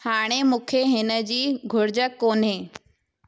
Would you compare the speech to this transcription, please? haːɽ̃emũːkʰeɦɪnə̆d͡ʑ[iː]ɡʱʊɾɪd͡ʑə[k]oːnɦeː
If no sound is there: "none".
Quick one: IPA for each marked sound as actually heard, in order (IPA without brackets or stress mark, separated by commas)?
iː, k